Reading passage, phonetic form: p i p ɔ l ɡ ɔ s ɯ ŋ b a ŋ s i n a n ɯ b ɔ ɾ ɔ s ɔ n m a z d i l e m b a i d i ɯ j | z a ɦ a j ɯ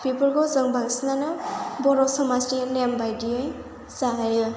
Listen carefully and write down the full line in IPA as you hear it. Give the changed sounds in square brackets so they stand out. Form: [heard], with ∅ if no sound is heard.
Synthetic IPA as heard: p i p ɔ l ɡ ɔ [z] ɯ ŋ b a ŋ s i n a n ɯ b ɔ ɾ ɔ s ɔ [∅] m a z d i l e m b a [j] d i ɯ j | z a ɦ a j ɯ